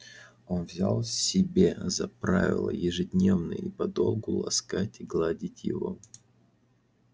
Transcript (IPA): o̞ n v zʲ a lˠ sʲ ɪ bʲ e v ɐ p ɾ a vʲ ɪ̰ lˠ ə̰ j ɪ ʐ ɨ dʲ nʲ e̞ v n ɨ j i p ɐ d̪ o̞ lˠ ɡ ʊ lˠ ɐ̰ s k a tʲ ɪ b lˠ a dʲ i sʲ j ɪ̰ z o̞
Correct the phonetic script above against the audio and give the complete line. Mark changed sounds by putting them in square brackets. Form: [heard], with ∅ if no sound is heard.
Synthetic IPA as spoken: o̞ n v zʲ a lˠ sʲ ɪ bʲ e [z] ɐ p ɾ a vʲ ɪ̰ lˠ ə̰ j ɪ ʐ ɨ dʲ nʲ e̞ v n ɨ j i p ɐ d̪ o̞ lˠ ɡ ʊ lˠ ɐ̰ s k a tʲ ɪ [ɡ] lˠ a dʲ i [tʲ] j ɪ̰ [v] o̞